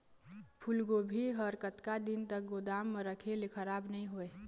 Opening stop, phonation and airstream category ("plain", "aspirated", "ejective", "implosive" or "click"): aspirated